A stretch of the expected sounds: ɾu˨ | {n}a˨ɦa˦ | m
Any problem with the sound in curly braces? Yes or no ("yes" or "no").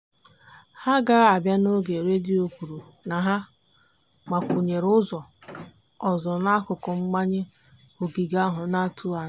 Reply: no